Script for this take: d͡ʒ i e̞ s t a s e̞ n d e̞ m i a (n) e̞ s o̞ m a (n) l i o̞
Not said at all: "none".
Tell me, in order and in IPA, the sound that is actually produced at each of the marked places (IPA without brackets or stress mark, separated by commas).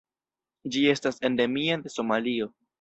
d, none